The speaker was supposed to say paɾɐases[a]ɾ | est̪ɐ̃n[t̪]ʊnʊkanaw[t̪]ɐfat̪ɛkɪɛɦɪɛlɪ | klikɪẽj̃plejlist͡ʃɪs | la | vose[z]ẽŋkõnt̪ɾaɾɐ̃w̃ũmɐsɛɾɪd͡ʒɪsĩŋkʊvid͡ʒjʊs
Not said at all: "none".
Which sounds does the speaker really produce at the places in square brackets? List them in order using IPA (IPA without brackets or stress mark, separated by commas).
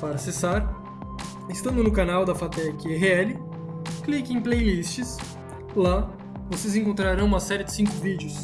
a, d̪, d̪, z